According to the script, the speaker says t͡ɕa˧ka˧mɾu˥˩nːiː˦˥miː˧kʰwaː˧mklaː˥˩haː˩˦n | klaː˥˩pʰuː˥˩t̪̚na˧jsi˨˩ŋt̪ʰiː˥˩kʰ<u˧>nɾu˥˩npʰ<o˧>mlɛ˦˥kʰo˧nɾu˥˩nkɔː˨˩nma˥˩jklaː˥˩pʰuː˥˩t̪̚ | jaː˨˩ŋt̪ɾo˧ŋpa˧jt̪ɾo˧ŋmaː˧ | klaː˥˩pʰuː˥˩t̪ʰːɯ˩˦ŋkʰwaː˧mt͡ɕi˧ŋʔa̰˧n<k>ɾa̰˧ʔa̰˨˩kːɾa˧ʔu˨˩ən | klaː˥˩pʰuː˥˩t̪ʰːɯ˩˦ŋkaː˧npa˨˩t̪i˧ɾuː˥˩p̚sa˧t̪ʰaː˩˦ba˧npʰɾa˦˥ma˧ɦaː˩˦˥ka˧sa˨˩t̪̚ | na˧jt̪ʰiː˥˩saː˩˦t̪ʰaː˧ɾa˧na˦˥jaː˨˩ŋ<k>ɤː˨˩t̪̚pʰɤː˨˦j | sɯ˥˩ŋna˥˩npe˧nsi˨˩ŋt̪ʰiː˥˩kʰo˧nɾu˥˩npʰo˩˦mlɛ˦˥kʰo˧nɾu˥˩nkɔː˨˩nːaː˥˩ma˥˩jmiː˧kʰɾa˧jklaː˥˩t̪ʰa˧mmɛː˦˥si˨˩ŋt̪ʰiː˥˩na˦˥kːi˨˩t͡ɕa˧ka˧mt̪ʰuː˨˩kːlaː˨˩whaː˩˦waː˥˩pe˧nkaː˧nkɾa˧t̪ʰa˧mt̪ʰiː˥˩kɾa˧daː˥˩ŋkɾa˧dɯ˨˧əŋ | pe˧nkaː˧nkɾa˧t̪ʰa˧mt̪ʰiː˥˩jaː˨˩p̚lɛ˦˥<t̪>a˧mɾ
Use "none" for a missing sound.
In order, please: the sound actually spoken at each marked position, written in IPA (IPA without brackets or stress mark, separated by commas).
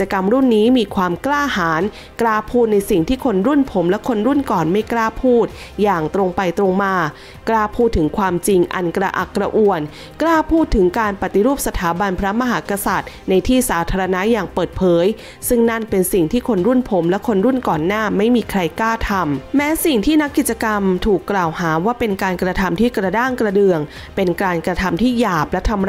o˧, o˩˦, k, p, t̪ʰ